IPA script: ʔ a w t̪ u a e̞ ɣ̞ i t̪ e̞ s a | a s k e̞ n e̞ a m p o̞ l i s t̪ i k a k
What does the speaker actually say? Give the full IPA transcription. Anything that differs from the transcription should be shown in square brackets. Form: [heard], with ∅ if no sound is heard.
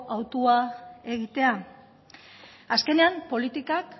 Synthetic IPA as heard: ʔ a w t̪ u a e̞ ɣ̞ i t̪ e̞ [∅] a | a s k e̞ n e̞ a m p o̞ l i [∅] t̪ i k a k